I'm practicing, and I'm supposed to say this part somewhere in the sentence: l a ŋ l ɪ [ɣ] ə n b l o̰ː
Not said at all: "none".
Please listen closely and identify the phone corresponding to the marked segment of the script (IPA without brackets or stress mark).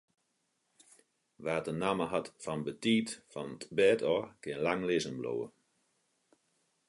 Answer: z